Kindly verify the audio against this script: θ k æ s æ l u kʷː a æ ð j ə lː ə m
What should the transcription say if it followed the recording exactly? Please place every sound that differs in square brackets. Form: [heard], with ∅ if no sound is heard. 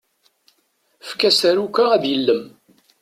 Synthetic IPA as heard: [f] k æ s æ [ɾ] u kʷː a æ ð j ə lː ə m